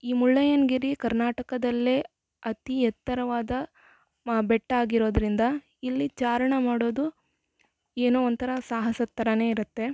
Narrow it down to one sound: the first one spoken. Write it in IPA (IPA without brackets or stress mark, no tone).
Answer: iː